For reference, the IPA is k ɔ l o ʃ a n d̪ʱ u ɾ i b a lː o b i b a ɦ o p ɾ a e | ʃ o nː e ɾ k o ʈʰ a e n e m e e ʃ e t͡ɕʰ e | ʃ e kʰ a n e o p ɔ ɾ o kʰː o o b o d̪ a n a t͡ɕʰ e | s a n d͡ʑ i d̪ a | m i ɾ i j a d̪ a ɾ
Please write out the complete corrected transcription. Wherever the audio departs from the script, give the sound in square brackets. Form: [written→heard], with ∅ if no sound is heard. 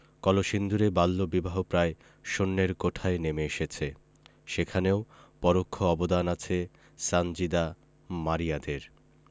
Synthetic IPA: k ɔ l o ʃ [a→i] n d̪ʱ u ɾ [i→e] b a lː o b i b a ɦ o p ɾ a e | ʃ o nː e ɾ k o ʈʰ a e n e m e e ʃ e t͡ɕʰ e | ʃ e kʰ a n e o p ɔ ɾ o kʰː o [o→ɔ] b o d̪ a n a t͡ɕʰ e | s a n d͡ʑ i d̪ a | m [i→a] ɾ i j a d̪ [a→e] ɾ